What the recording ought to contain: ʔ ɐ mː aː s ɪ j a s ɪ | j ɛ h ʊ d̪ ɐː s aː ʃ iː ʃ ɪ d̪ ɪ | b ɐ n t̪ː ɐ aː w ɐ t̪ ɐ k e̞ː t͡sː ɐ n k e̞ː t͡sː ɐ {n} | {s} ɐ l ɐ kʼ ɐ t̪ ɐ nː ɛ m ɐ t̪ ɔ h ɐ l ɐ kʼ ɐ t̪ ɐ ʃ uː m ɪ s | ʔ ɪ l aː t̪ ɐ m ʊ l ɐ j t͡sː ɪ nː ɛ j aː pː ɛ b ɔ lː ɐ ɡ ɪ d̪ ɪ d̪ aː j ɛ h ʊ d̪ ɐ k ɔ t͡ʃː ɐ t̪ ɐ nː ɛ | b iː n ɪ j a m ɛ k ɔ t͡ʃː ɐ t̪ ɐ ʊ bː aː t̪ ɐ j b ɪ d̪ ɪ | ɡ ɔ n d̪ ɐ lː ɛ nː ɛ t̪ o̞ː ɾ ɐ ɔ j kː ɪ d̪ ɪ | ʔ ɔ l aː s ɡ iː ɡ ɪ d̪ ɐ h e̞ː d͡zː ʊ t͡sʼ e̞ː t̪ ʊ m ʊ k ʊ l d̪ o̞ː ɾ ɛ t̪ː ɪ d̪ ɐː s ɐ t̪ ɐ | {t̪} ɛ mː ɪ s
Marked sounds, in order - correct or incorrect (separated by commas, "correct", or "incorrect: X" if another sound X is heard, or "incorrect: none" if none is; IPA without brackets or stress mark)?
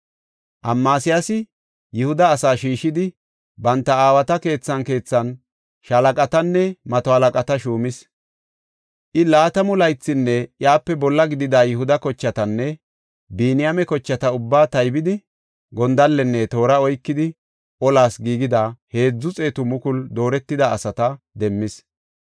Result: correct, incorrect: ʃ, incorrect: d̪